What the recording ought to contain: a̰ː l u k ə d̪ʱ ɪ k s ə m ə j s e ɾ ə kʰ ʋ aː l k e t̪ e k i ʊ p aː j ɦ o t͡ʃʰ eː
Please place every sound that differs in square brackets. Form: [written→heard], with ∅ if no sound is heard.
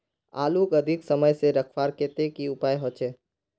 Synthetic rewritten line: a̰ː l u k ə d̪ʱ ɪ k s ə m ə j s e ɾ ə kʰ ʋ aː [l→ɾ] k e t̪ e k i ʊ p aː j ɦ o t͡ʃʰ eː